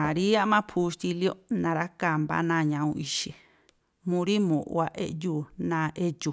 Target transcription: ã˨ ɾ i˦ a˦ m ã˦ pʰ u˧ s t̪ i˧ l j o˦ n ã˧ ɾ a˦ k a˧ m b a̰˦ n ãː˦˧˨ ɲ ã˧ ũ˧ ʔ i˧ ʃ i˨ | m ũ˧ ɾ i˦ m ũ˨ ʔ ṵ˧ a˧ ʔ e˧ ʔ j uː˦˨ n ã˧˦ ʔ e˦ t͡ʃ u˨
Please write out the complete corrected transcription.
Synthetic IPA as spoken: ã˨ ɾ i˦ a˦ m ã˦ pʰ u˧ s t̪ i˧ l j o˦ n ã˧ ɾ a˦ k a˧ m b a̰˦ n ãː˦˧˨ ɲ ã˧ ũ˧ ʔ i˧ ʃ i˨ | m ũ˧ ɾ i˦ m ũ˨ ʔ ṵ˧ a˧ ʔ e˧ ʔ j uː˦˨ n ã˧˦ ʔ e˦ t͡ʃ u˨